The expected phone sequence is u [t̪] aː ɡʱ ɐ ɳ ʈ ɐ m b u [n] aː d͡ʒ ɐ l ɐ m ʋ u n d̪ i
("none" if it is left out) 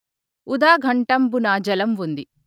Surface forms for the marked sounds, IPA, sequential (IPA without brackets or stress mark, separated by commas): d̪, n